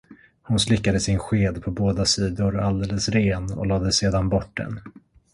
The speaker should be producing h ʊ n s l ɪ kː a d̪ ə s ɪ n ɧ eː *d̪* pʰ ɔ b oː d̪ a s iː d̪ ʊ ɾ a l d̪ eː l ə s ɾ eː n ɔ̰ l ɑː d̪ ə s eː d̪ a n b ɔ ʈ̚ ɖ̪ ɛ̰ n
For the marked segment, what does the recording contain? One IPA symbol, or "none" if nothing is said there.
d̪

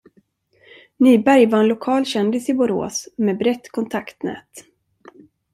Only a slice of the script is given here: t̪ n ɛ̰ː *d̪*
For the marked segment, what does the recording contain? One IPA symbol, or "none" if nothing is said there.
t̪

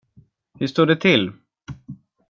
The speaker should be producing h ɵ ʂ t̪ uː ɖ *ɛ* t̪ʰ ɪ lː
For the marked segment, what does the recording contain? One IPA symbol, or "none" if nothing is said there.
ɛ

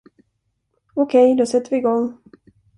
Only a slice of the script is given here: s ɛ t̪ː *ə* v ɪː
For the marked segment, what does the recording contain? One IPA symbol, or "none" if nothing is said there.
ə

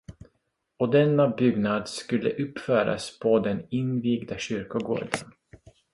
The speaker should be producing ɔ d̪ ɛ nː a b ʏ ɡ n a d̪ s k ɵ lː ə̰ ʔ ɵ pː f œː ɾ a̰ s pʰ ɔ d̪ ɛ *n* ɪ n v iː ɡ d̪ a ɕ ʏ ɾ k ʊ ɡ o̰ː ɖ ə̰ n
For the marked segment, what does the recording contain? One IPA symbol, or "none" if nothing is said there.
n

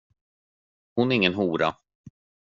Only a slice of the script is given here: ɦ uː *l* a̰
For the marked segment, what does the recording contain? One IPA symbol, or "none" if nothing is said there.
ɾ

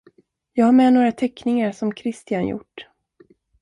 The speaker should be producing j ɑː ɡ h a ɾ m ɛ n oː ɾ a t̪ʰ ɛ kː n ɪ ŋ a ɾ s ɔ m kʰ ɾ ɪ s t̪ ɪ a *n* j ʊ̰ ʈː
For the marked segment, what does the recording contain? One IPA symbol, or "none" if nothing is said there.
n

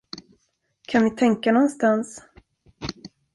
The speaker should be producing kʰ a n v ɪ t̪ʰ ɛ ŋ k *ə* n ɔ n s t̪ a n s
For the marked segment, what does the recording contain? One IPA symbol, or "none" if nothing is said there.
a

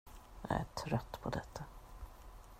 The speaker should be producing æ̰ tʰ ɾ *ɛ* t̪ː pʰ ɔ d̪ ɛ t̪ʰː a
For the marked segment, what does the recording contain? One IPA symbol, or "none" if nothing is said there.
œ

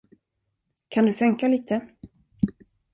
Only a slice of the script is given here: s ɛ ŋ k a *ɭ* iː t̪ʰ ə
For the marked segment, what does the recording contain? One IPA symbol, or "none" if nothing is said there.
l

